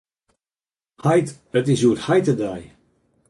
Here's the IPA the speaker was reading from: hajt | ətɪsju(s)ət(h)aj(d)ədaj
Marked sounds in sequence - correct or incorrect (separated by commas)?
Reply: incorrect, correct, incorrect